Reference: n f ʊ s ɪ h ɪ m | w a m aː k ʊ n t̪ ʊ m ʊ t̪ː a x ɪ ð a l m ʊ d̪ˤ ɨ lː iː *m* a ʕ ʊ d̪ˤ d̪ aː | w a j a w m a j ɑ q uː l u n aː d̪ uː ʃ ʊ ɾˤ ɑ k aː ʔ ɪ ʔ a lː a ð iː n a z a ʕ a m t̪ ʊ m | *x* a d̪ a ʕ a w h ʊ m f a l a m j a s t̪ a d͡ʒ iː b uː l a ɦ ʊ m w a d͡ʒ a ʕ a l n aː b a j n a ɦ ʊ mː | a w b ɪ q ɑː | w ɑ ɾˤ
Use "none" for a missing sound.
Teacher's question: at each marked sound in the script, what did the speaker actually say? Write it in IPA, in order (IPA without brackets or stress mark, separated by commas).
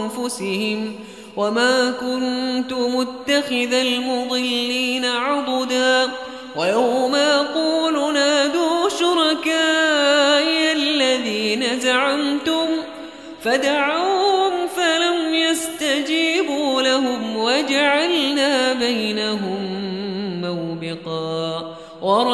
n, f